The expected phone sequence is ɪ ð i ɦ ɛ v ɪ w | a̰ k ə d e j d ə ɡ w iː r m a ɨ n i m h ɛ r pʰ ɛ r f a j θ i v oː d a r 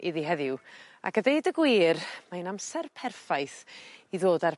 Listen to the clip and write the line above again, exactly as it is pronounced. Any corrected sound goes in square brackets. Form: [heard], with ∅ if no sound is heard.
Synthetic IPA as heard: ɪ ð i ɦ ɛ [ð] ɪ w | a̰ k ə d e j d ə ɡ w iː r m a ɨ n [a] m [s] ɛ r pʰ ɛ r f a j θ i [ð] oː d a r

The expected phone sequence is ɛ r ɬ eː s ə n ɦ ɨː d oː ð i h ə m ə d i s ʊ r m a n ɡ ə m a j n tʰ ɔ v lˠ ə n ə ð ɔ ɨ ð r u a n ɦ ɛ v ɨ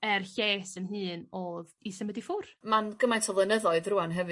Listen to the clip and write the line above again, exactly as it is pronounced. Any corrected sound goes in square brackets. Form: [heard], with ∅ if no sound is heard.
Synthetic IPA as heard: ɛ r ɬ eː s ə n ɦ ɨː [n] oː ð i [s] ə m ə d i [f] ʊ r m a n ɡ ə m a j n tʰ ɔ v lˠ ə n ə ð ɔ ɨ ð r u a n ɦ ɛ v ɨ

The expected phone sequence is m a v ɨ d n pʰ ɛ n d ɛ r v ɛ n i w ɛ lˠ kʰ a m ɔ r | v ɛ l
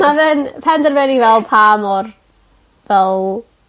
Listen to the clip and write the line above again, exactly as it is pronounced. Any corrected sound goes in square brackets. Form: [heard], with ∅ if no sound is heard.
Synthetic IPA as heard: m a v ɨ [∅] n pʰ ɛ n d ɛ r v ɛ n i [v] ɛ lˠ [pʰ] a m ɔ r | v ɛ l

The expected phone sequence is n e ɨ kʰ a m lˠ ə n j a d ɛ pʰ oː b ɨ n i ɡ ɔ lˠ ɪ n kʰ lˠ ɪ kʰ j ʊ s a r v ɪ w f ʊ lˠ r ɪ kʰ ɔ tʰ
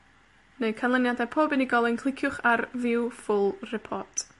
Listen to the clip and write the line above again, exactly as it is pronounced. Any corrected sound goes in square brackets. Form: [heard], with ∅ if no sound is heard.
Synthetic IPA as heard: n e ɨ kʰ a [n] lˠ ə n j a d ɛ pʰ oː b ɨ n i ɡ ɔ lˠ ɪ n kʰ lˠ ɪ kʰ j ʊ [χ] a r v ɪ w f ʊ lˠ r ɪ [pʰ] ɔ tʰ

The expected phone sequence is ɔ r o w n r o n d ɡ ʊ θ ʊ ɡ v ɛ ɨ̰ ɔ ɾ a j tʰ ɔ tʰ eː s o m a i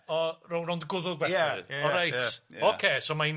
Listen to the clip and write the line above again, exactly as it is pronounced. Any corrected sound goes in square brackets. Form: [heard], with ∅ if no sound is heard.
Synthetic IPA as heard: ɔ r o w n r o n d ɡ ʊ [ð] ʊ ɡ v ɛ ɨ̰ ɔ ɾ a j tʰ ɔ [kʰ] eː s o m a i

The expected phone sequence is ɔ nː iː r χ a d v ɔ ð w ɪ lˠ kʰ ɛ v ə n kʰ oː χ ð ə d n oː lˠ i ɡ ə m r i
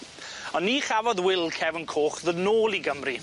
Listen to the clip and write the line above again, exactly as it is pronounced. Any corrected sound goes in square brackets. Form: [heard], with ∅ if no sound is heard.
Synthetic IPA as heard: ɔ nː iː [∅] χ a [∅] v ɔ ð w ɪ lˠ kʰ ɛ v ə n kʰ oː χ ð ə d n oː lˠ i ɡ ə m r i

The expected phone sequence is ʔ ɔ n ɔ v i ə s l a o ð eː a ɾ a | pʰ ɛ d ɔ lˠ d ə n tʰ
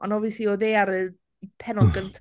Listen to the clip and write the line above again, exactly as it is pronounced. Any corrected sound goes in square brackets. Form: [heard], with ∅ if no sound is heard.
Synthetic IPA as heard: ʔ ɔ n ɔ v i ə s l [i] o ð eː a ɾ [ə] | pʰ ɛ [n] ɔ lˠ [ɡ] ə n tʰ

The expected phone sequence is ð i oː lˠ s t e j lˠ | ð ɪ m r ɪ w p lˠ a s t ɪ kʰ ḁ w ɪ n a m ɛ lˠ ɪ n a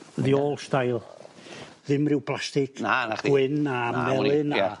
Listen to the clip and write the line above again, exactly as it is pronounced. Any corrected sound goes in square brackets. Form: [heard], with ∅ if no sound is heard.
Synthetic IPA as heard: ð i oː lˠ s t [a] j lˠ | ð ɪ m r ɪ w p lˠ a s t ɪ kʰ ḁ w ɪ n a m ɛ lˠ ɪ n a

